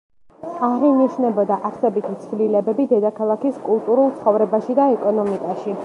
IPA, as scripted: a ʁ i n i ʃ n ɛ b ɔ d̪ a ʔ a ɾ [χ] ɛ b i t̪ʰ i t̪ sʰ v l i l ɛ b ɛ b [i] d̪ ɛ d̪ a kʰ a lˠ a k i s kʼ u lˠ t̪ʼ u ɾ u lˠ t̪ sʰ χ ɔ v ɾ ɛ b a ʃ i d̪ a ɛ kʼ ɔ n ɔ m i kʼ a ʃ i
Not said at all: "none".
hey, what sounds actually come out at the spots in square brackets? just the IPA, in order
s, i

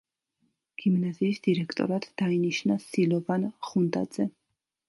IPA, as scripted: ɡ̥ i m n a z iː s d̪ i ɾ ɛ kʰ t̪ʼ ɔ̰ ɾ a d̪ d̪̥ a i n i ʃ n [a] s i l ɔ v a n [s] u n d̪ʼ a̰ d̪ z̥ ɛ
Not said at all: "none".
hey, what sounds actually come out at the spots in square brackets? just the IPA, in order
a, χ

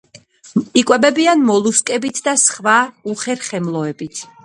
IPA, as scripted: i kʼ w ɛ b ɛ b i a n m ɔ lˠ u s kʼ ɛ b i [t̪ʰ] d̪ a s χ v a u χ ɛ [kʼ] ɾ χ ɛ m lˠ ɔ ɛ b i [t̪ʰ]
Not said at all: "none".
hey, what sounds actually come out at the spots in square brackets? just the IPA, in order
t̪ʰ, none, t̪ʰ

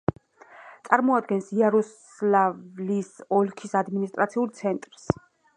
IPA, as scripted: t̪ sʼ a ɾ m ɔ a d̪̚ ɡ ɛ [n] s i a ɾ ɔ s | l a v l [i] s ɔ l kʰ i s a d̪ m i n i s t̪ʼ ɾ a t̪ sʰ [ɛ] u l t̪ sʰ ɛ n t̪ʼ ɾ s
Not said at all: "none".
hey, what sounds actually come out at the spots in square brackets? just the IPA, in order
n, i, i

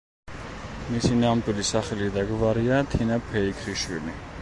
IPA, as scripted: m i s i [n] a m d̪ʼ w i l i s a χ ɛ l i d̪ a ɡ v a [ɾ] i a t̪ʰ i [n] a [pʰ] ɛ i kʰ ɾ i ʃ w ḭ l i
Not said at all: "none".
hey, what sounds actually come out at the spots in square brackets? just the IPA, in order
n, ɾ, n, pʰ

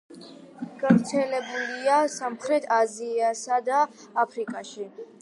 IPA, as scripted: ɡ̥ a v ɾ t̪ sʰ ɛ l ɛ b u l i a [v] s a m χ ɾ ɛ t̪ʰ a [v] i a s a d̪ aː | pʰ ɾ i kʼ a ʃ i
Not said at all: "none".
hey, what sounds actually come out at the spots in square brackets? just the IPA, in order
none, z

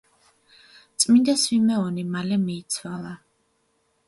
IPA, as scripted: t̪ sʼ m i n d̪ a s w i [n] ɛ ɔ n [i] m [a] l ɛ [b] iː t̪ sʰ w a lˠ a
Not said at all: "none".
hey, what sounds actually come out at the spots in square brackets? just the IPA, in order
m, i, a, m

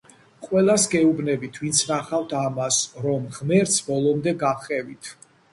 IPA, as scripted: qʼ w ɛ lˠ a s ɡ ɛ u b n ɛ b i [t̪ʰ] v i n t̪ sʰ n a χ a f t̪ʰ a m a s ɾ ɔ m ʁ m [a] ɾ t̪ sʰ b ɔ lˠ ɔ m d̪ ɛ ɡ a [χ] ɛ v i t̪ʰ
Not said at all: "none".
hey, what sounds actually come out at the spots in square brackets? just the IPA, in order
t̪ʰ, ɛ, χ

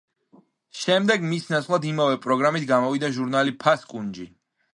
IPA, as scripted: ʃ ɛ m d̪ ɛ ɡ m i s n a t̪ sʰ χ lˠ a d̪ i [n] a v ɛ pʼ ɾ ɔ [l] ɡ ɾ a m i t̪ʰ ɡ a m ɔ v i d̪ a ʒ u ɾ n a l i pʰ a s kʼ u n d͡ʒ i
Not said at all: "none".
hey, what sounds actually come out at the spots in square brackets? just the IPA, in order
m, none

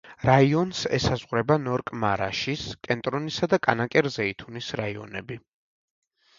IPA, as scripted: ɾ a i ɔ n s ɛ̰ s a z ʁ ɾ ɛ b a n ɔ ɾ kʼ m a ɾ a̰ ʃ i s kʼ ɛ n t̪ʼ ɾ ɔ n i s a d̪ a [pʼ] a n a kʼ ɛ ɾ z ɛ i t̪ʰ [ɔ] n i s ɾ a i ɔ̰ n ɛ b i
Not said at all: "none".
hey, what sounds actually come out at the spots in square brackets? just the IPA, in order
kʼ, u

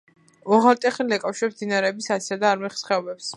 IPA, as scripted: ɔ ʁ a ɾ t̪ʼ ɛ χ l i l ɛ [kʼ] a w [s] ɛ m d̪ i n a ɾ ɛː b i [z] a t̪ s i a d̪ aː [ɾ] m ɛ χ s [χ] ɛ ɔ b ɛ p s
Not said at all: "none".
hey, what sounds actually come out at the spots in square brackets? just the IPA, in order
kʼ, ʃ, s, ɾ, χ

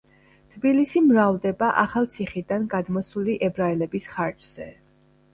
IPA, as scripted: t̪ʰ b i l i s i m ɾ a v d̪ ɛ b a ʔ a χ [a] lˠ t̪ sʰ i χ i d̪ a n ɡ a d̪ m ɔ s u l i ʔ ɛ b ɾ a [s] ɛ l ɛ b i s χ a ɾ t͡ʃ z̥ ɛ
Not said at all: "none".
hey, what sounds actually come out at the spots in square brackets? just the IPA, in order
a, none

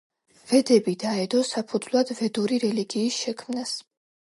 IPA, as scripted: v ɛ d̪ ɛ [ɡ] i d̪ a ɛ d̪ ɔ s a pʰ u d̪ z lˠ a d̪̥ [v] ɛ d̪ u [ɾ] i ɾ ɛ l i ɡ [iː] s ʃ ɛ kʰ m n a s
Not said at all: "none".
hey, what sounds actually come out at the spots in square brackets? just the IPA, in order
b, v, ɾ, iː

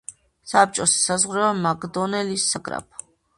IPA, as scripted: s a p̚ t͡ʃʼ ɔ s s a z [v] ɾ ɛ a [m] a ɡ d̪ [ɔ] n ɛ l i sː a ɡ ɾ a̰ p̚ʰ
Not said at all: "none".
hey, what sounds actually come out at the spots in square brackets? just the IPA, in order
ʁ, m, ɔ

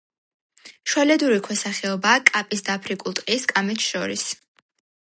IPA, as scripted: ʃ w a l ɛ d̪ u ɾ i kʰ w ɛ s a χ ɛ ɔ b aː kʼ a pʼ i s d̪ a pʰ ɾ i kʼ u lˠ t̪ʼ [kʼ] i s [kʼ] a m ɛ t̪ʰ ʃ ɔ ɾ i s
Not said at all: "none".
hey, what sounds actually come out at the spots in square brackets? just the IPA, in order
qʼ, kʼ

